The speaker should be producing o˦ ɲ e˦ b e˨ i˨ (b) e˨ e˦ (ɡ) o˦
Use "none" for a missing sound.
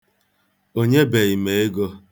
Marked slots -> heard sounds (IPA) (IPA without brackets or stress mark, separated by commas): m, ɡ